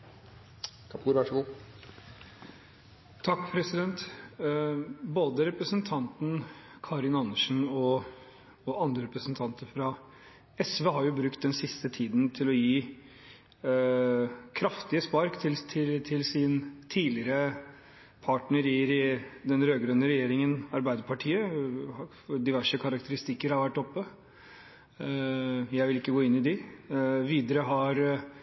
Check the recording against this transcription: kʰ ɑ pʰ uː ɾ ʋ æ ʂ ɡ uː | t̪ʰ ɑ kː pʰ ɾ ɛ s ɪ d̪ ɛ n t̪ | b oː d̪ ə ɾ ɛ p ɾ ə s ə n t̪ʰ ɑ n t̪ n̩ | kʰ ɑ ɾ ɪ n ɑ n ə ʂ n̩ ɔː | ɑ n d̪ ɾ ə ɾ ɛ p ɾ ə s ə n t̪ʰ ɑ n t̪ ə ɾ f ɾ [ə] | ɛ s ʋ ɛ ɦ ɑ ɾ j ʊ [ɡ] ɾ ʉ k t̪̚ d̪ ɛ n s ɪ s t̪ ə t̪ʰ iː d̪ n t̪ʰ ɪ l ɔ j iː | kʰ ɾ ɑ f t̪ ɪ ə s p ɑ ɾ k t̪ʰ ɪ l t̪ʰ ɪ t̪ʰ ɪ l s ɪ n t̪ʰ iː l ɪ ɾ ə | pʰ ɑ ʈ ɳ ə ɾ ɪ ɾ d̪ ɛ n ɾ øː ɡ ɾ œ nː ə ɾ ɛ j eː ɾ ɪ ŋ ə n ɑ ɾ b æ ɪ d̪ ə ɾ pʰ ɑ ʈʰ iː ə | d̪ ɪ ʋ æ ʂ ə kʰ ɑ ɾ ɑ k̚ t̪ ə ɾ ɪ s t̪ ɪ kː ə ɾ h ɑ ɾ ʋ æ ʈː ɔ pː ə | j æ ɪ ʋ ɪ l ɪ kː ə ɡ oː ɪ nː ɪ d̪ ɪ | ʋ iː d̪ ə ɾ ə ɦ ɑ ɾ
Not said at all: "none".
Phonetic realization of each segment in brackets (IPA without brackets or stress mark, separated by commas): ɑ, b